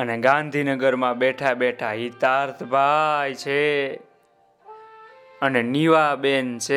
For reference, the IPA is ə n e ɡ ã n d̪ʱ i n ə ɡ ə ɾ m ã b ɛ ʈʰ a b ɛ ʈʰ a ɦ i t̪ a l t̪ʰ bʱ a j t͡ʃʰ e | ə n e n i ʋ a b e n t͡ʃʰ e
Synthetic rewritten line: ə n e ɡ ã n d̪ʱ i n ə ɡ ə ɾ m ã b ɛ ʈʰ a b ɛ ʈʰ a ɦ i t̪ a ɾ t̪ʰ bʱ a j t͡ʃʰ e | ə n e n i ʋ a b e n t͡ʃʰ e